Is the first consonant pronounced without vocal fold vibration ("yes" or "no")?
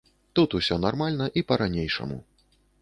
yes